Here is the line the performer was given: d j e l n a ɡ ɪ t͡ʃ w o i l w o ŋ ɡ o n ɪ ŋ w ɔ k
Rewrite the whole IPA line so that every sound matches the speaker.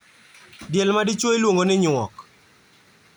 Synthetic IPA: d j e l m a d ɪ t͡ʃ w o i l w o ŋ ɡ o n ɪ ɲ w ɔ k